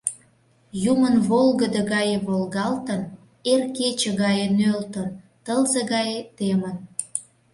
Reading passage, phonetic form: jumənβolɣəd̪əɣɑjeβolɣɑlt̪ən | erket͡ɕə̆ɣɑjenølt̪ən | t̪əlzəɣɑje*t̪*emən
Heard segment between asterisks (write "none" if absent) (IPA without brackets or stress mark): t̪